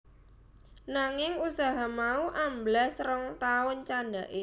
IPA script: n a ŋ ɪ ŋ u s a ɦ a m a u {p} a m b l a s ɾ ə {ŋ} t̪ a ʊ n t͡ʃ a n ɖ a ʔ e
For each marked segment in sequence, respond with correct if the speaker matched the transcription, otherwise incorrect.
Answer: incorrect, correct

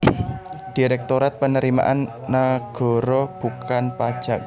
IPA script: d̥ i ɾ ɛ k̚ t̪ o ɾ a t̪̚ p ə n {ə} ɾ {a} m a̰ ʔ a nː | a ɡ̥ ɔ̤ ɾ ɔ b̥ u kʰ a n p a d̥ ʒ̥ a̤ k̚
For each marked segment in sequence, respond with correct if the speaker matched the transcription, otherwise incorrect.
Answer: correct, incorrect

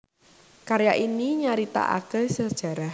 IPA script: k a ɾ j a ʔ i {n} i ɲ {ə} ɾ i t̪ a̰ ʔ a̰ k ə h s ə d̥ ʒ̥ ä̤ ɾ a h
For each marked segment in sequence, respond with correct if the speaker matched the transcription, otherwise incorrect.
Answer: correct, incorrect

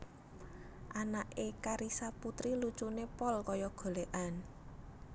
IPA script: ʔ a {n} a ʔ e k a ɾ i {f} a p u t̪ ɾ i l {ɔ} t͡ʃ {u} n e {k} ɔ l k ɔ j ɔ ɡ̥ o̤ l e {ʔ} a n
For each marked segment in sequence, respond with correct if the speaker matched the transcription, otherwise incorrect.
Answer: correct, incorrect, incorrect, correct, incorrect, correct

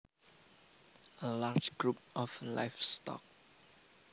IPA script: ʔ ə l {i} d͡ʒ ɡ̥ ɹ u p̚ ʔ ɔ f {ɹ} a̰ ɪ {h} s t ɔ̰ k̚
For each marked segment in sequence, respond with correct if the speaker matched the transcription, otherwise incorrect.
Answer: incorrect, incorrect, incorrect

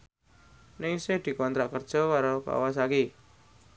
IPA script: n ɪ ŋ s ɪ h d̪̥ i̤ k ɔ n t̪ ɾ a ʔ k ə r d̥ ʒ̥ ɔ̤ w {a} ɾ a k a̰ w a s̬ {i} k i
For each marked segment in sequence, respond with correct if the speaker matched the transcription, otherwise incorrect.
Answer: correct, incorrect

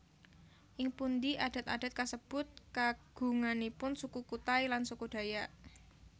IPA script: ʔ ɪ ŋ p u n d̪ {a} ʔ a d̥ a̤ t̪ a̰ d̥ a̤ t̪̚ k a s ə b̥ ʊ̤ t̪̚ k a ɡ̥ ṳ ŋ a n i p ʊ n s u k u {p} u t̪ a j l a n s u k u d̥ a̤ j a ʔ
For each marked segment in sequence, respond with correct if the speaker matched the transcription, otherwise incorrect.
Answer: incorrect, incorrect

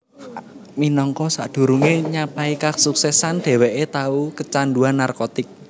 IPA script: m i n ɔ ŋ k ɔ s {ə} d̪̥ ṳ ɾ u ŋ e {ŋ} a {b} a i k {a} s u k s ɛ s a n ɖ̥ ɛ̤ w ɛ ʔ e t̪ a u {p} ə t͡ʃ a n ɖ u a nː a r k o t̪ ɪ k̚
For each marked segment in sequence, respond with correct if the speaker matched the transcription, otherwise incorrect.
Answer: incorrect, incorrect, incorrect, correct, incorrect

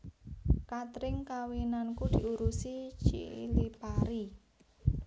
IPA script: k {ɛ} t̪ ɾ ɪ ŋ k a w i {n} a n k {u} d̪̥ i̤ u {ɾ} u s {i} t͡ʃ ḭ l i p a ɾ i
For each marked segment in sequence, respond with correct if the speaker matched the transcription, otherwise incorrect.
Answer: incorrect, correct, correct, correct, correct

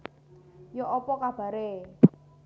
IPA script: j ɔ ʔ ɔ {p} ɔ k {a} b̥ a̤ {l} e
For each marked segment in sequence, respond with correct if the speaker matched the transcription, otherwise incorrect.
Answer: correct, correct, incorrect

